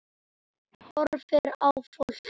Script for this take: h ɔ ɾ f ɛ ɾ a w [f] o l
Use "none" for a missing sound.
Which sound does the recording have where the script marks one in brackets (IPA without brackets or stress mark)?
f